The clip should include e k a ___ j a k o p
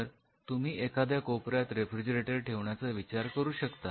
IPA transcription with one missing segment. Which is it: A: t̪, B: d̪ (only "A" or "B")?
B